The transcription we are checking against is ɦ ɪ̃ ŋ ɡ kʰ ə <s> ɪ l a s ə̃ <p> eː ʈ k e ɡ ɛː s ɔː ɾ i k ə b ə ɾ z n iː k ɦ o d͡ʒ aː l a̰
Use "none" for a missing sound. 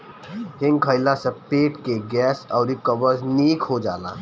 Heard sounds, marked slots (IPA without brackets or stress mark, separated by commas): none, p